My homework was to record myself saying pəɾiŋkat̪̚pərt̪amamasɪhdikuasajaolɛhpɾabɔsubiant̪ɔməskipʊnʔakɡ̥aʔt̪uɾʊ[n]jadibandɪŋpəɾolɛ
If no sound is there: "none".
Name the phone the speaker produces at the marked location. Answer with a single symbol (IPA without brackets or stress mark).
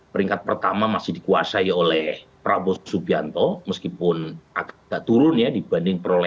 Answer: n